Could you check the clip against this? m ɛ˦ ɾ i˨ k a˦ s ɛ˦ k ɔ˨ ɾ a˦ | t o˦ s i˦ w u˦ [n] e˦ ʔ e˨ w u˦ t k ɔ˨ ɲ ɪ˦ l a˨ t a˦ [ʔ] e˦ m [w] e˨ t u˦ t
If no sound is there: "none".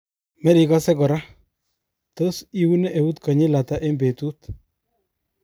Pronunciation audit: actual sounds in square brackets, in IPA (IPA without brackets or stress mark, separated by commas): n, ʔ, b